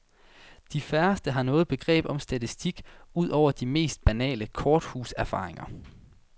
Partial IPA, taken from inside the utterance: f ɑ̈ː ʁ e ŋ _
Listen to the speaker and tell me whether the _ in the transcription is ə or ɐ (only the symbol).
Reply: ɐ